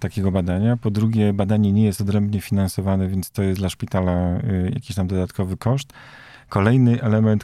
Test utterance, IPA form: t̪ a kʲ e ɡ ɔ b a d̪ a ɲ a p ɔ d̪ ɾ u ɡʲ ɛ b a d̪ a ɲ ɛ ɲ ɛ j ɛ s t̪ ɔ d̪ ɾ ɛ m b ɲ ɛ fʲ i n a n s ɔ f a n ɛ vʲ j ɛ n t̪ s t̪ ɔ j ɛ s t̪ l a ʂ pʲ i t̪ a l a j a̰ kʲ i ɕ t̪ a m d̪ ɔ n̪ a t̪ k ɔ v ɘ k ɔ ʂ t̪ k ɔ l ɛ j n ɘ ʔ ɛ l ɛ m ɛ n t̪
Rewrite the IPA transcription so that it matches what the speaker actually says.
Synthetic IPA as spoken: t̪ a kʲ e ɡ ɔ b a d̪ a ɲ a p ɔ d̪ ɾ u ɡʲ ɛ b a d̪ a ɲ ɛ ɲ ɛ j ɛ s t̪ ɔ d̪ ɾ ɛ m b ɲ ɛ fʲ i n a n s ɔ v a n ɛ vʲ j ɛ n t̪ s t̪ ɔ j ɛ s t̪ l a ʂ pʲ i t̪ a l a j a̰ kʲ i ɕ t̪ a m d̪ ɔ d̪ a t̪ k ɔ v ɘ k ɔ ʂ t̪ k ɔ l ɛ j n ɘ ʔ ɛ l ɛ m ɛ n t̪